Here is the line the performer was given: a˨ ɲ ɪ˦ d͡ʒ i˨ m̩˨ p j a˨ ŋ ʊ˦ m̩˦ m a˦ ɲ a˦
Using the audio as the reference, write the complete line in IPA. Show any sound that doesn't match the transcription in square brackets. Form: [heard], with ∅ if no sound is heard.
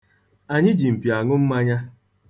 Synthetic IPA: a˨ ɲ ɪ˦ d͡ʒ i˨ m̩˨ p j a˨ ŋ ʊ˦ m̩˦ m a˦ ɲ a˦